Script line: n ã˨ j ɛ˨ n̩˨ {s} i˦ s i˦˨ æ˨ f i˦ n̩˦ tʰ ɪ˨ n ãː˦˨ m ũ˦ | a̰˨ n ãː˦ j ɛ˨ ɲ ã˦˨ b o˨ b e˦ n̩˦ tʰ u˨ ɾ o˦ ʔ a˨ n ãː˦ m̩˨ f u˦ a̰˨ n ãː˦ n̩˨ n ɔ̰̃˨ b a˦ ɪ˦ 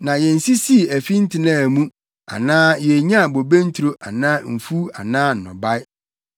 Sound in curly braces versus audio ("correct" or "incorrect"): correct